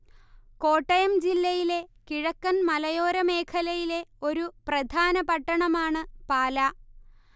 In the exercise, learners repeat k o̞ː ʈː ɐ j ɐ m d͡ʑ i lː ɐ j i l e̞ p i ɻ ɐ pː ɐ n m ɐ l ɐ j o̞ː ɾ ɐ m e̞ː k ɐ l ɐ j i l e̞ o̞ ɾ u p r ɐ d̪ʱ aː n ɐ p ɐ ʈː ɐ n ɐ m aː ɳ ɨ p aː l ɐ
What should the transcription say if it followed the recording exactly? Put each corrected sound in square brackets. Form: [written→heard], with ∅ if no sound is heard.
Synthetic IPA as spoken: k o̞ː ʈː ɐ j ɐ m d͡ʑ i lː ɐ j i l e̞ [p→k] i ɻ ɐ [pː→kː] ɐ n m ɐ l ɐ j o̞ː ɾ ɐ m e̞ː [k→kʰ] ɐ l ɐ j i l e̞ o̞ ɾ u p r ɐ d̪ʱ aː n ɐ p ɐ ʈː ɐ [n→ɳ] ɐ m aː ɳ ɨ p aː l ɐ